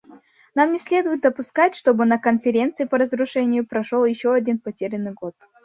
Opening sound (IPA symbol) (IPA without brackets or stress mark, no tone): n